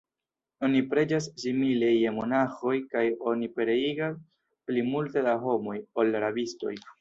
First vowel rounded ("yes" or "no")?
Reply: yes